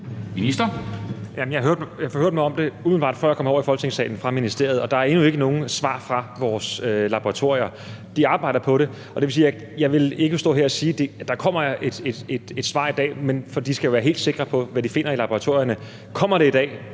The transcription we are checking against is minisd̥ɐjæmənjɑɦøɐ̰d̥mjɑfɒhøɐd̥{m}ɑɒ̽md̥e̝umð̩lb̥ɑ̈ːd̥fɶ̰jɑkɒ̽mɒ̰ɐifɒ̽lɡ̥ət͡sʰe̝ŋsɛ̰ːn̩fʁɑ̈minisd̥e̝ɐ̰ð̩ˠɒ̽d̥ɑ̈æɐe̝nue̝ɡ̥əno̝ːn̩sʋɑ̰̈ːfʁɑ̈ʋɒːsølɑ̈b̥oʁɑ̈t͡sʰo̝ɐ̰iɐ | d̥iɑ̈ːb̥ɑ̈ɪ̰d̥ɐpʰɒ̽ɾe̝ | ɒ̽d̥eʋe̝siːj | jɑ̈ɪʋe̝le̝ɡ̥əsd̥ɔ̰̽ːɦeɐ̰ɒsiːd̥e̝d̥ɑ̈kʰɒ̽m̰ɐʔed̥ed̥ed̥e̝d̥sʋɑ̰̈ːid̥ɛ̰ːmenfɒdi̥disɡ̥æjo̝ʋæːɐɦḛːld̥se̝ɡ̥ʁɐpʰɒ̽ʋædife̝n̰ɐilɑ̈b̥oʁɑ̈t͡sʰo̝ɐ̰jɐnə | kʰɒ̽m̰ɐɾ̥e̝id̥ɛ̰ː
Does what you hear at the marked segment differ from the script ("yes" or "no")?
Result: no